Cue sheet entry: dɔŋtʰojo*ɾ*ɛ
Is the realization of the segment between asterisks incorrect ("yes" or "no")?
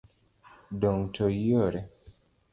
no